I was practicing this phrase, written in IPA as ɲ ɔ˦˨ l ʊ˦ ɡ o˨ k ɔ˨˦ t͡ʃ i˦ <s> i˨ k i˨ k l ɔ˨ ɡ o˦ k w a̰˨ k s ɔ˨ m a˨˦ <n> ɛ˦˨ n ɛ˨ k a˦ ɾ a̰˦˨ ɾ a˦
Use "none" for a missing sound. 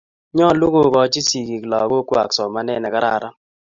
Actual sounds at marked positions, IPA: s, n

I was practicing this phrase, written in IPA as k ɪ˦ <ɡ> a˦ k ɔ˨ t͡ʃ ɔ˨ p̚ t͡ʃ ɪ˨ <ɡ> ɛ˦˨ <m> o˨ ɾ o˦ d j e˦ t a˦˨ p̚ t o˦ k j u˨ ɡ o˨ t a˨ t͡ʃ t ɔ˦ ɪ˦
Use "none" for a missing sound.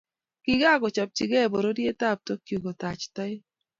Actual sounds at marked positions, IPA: ɡ, ɡ, b

